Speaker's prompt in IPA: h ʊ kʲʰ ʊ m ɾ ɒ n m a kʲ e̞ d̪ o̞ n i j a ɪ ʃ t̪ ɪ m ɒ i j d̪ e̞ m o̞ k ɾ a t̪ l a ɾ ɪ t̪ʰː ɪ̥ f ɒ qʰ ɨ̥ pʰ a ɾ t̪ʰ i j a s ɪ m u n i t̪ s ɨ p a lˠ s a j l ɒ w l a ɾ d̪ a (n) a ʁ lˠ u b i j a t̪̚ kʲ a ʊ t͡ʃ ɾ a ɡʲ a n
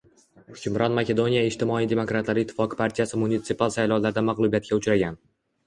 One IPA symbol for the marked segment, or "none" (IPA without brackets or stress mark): m